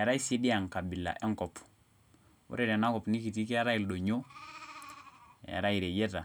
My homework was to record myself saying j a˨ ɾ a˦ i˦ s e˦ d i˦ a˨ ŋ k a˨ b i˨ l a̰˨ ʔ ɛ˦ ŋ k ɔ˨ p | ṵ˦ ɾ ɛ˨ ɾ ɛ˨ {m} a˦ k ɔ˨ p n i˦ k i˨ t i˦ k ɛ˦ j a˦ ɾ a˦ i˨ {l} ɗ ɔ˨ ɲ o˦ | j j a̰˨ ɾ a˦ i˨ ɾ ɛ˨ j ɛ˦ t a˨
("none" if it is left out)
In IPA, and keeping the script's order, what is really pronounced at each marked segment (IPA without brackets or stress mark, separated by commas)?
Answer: n, l